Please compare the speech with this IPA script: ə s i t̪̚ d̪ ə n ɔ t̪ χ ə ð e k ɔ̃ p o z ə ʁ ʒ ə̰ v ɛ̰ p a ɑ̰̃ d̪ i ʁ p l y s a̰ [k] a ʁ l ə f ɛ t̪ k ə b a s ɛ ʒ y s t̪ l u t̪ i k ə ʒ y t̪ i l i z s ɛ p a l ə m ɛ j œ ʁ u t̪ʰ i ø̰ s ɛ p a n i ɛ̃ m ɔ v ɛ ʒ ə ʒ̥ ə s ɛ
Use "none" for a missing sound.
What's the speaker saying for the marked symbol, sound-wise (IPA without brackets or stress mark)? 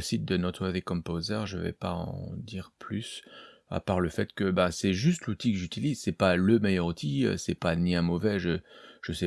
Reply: p